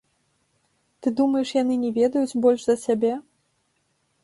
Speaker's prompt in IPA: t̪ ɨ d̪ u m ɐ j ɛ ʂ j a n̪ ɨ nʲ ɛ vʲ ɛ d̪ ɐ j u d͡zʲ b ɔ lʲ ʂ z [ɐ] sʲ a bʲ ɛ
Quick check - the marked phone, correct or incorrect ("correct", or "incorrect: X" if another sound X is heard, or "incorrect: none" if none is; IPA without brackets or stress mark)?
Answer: correct